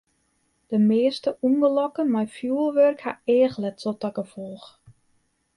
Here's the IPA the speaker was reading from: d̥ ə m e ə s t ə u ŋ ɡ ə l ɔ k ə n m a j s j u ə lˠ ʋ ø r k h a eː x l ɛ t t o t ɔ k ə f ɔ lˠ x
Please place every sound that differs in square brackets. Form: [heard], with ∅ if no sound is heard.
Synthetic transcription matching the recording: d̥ ə m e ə s t ə u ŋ ɡ ə l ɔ k ə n m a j [f] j u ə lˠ ʋ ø r k h a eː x l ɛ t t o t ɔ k ə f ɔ lˠ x